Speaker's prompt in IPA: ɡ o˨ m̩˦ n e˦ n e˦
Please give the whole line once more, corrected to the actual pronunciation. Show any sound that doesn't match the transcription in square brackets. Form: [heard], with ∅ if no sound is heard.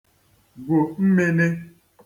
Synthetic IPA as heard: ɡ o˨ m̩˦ [m] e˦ n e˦